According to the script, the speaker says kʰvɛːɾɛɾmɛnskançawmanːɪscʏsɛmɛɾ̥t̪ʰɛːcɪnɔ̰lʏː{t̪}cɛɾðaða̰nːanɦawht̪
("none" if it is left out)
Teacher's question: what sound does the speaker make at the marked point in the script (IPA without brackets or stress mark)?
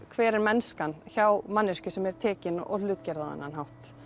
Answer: t̪